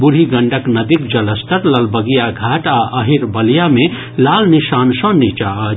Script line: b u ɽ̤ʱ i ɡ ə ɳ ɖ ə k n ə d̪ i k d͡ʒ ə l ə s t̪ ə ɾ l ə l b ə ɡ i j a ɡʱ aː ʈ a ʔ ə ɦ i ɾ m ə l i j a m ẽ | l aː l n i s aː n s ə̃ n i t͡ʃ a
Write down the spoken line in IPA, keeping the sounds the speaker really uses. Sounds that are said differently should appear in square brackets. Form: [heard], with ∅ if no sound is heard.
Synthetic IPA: b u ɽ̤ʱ i ɡ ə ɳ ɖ ə k n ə d̪ i k d͡ʒ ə l ə s t̪ ə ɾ l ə l b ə ɡ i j a ɡʱ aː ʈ a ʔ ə ɦ i ɾ [b] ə l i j a m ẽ | l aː l n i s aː n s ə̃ n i t͡ʃ a